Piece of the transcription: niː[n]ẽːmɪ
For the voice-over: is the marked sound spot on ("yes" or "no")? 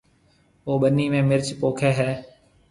no